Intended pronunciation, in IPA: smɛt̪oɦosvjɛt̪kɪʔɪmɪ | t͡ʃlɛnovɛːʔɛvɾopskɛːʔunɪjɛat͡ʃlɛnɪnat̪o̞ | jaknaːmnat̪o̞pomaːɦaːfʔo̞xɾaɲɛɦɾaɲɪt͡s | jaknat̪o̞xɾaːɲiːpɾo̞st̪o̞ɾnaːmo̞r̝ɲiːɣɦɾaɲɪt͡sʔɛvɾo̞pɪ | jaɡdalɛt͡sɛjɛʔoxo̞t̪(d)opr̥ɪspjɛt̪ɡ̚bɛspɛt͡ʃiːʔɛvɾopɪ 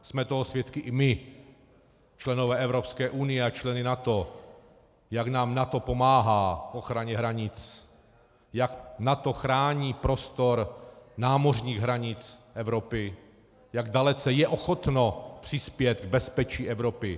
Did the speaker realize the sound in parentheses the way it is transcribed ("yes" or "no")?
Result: no